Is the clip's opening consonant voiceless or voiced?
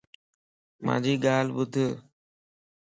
voiced